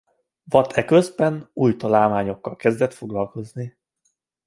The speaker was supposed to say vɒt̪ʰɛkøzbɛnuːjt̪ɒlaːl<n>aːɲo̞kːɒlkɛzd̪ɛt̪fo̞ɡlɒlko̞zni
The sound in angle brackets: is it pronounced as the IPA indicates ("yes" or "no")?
no